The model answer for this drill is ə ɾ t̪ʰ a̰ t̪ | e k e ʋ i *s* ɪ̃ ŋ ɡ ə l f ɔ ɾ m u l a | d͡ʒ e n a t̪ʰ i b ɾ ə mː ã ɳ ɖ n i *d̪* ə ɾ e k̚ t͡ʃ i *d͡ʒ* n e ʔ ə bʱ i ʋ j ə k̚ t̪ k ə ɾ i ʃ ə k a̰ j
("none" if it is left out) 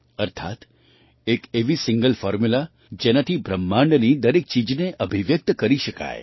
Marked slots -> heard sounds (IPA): s, d̪, d͡ʒ

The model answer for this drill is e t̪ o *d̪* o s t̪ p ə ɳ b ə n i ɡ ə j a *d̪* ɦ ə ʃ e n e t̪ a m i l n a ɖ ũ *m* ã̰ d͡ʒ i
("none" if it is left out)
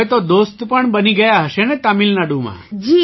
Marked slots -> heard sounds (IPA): d̪, none, m

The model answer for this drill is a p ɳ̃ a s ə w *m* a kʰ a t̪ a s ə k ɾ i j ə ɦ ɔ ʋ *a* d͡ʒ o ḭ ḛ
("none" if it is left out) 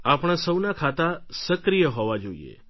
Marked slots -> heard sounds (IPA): n, a

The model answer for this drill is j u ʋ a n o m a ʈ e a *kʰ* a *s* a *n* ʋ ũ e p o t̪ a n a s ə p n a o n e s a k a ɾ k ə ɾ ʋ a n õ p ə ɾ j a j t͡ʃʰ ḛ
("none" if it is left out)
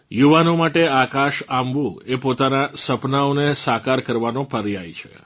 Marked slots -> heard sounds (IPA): k, ʃ, m

